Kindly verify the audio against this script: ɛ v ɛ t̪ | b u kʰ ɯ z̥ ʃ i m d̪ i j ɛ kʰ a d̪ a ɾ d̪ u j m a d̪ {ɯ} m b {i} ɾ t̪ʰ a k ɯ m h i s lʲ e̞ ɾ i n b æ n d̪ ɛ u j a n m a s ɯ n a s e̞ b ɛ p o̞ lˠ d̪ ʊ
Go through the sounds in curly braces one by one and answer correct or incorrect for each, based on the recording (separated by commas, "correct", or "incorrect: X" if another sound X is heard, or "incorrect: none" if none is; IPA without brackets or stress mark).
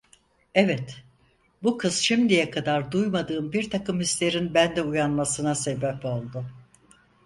incorrect: ɯː, correct